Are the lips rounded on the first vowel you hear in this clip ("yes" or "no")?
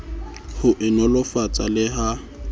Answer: yes